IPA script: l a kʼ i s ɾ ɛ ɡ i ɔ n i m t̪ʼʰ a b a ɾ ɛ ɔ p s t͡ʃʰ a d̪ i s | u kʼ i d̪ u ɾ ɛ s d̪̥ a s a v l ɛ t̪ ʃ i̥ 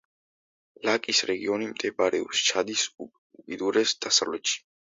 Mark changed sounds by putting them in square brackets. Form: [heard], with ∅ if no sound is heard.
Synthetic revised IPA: l a kʼ i s ɾ ɛ ɡ i ɔ n i m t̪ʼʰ [ɛ] b a ɾ ɛ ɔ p s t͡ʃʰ a d̪ i s | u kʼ i d̪ u ɾ ɛ s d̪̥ a s a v l ɛ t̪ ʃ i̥